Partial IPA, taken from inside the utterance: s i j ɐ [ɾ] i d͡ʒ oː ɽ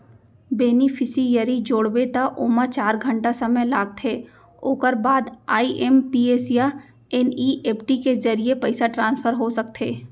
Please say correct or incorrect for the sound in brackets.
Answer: correct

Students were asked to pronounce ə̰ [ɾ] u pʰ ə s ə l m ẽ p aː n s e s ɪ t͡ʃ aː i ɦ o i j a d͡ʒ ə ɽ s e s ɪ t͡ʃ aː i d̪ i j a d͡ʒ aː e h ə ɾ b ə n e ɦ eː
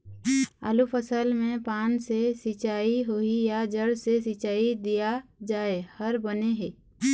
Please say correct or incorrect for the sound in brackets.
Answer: incorrect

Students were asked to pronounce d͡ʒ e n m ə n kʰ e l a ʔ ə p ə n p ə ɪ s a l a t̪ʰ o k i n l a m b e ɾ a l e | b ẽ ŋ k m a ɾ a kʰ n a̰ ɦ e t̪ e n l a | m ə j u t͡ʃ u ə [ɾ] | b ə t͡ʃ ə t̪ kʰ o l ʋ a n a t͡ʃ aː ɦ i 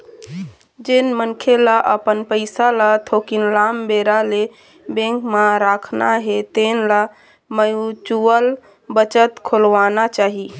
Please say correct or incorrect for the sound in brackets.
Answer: incorrect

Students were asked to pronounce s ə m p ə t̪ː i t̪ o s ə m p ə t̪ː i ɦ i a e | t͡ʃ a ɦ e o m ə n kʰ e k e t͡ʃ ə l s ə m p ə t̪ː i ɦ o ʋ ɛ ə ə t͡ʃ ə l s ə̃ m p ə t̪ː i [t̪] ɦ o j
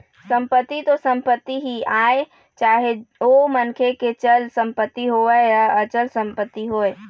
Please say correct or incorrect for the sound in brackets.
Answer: incorrect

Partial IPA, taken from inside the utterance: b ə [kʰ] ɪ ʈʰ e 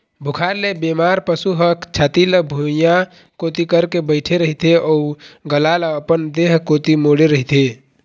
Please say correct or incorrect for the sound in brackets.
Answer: incorrect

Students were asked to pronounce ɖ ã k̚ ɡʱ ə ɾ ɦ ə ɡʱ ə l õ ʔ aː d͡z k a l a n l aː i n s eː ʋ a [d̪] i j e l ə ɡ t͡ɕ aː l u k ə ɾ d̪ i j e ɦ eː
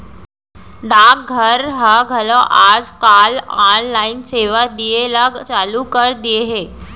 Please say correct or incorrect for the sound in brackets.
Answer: correct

